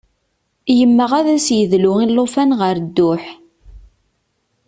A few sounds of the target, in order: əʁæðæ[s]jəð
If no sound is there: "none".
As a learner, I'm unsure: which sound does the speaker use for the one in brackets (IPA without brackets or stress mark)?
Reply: s